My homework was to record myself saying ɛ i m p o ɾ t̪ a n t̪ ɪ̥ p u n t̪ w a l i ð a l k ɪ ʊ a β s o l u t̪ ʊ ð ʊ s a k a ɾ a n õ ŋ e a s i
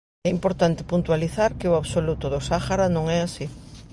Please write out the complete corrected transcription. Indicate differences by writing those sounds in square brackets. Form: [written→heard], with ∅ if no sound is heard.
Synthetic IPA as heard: ɛ i m p o ɾ t̪ a n t̪ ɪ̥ p u n t̪ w a l i [ð→θ] a [l→ɾ] k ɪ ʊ a β s o l u t̪ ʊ ð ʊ s a [k→x] a ɾ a n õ ŋ [e→ɛ] a s i